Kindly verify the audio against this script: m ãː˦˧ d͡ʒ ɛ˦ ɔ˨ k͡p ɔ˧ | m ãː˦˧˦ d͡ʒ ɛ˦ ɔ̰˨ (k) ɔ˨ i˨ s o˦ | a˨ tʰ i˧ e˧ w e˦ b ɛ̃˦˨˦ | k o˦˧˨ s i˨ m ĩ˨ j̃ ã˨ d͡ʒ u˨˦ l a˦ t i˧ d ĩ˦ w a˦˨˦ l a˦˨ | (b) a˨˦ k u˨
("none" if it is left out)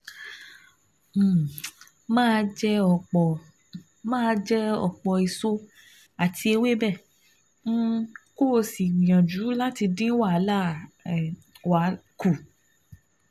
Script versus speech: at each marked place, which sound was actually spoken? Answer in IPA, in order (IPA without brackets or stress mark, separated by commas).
k͡p, w